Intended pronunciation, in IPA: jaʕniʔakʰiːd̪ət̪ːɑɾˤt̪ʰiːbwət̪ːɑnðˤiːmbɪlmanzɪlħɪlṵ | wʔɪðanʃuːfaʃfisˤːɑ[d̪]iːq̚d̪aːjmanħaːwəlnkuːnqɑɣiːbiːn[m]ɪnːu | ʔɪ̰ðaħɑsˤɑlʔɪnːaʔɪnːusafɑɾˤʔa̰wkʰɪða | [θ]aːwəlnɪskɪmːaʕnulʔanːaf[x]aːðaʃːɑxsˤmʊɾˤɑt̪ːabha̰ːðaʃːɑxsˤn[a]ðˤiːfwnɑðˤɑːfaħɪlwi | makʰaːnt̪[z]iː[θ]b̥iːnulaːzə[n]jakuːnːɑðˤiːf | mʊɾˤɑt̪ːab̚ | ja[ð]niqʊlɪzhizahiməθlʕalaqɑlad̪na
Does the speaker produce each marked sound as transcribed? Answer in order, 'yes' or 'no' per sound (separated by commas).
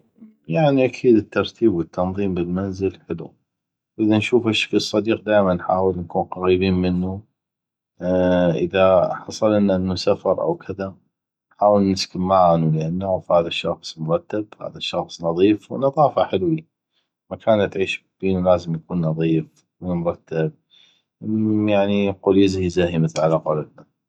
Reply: yes, yes, no, no, no, no, no, no, no